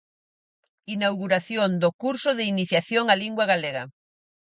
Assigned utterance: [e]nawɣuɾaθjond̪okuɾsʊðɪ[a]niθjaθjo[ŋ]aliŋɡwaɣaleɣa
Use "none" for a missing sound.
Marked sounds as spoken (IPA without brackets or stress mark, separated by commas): i, i, ŋ